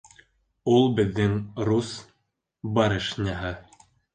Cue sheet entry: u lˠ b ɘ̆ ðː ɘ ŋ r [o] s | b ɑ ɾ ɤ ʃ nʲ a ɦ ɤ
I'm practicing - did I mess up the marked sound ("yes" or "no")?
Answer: yes